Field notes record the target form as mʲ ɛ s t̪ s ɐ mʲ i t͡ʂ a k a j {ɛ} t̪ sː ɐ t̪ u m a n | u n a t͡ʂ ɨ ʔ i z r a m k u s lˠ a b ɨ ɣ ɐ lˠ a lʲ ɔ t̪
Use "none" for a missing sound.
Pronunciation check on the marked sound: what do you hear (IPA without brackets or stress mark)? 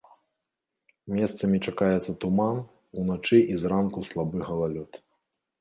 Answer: ɛ